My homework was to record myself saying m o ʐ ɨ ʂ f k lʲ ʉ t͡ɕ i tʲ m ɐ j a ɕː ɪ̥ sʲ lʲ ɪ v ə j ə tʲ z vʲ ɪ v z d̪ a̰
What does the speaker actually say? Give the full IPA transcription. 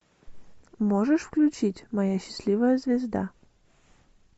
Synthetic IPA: m o ʐ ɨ ʂ f k lʲ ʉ t͡ɕ i tʲ m ɐ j a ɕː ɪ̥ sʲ lʲ i v ə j ə z vʲ ɪ z d̪ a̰